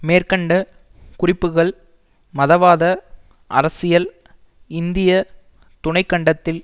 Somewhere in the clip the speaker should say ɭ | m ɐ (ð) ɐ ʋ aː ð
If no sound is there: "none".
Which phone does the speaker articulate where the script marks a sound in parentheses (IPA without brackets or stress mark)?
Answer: ð